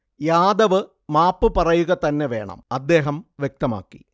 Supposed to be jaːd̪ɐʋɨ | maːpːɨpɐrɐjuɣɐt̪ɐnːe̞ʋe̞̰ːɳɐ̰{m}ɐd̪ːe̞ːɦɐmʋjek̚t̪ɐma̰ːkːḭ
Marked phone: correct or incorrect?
correct